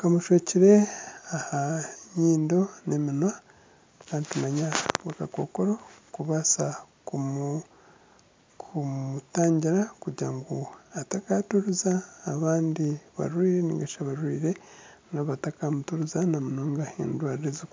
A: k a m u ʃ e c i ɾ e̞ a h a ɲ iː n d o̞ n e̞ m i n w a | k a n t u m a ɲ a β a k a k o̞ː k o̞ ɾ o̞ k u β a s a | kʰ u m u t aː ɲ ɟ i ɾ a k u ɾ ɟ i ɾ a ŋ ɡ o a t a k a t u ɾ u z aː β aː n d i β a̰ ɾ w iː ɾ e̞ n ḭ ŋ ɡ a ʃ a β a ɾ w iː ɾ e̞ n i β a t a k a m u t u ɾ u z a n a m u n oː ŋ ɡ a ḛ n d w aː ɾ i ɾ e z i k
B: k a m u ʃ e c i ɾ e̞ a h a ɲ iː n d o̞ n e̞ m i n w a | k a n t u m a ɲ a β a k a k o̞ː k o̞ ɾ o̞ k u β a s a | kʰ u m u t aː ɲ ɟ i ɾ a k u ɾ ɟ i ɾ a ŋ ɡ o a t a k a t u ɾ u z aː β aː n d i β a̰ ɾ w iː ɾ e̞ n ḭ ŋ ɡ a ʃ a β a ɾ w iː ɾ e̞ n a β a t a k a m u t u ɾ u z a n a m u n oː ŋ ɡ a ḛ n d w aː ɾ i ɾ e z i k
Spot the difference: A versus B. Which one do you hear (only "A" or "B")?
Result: B